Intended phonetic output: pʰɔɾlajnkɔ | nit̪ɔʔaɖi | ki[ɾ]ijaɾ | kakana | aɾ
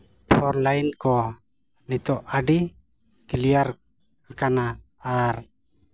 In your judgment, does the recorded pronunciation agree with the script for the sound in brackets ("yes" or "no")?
no